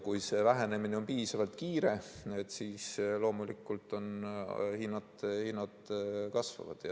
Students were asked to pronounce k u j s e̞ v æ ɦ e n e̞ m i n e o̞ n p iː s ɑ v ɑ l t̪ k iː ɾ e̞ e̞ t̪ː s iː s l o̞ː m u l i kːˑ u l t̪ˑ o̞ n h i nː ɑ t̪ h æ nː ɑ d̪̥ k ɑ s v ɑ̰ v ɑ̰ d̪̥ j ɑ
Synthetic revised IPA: k u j s e̞ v æ ɦ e n e̞ m i n e o̞ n p iː s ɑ v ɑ l t̪ k iː ɾ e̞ e̞ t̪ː s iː s l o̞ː m u l i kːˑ u l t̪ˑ o̞ n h i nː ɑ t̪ h i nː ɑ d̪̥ k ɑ s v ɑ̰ v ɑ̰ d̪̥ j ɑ